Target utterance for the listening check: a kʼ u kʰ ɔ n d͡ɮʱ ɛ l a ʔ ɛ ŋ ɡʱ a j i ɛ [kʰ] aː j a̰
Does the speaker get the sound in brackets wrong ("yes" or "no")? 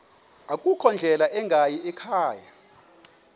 no